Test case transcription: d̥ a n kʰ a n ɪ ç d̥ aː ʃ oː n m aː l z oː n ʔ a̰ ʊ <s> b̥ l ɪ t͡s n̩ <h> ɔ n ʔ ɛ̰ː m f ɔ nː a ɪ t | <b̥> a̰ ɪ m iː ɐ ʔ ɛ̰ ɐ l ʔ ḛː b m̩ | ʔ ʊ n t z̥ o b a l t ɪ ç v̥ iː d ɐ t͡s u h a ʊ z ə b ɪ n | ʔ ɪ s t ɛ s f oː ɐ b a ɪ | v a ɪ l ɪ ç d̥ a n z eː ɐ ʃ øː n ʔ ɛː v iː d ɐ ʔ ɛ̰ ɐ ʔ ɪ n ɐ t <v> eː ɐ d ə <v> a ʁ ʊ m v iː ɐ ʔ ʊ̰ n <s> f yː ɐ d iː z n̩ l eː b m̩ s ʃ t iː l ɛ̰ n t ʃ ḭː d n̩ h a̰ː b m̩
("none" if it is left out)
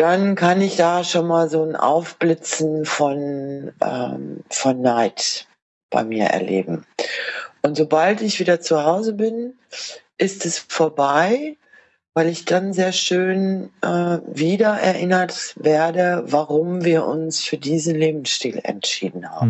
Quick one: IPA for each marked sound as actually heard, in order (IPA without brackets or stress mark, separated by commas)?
f, f, b̥, v, v, s